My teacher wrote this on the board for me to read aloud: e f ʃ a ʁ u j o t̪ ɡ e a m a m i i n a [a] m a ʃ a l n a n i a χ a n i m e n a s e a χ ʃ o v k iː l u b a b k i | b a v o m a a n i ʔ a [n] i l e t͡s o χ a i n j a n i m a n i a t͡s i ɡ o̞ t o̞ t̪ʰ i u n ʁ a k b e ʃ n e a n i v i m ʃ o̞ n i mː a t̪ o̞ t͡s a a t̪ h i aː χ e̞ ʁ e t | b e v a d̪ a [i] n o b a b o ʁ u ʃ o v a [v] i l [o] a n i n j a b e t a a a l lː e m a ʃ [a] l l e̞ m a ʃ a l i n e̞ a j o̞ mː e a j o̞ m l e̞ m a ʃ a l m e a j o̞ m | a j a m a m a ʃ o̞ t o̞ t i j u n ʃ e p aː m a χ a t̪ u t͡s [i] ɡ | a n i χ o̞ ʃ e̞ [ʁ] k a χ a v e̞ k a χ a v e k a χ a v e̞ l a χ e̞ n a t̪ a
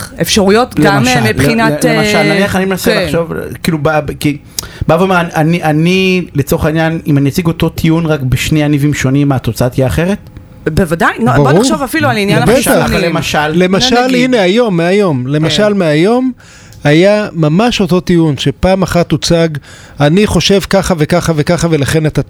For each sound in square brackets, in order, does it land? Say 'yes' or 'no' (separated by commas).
no, yes, no, no, no, yes, no, no